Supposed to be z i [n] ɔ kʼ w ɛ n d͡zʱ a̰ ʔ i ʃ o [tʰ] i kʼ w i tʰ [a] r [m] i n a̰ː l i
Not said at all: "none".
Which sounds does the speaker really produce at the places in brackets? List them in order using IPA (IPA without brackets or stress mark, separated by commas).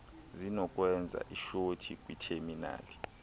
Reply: n, tʰ, e, m